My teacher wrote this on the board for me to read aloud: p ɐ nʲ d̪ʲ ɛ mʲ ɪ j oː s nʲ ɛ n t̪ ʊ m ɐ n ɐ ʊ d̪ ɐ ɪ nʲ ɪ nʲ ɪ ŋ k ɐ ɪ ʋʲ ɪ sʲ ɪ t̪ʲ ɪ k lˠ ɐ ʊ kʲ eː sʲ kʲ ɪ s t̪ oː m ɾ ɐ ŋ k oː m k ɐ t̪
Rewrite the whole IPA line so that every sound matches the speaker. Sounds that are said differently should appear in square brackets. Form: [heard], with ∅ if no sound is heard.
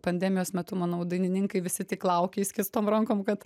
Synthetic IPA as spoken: p ɐ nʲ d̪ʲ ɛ mʲ ɪ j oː s [mʲ] ɛ [∅] t̪ ʊ m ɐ n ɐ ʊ d̪ ɐ ɪ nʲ ɪ nʲ ɪ ŋ k ɐ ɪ ʋʲ ɪ sʲ ɪ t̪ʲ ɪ k lˠ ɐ ʊ kʲ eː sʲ kʲ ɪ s t̪ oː m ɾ ɐ ŋ k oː m k ɐ t̪